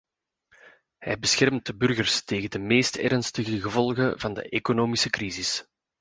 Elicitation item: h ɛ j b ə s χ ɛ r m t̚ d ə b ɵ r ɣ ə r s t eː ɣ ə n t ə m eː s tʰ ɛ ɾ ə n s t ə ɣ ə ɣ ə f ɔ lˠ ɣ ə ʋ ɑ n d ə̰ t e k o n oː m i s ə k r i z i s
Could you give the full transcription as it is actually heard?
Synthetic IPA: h ɛ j b ə s x ɛ r m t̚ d ə b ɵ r ɣ ə r s t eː ɣ ə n d ə m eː s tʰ ɛ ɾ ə n s t ə ɣ ə ɣ ə v ɔ lˠ ɣ ə v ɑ n d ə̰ ʔ e k o n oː m i s ə k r i z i s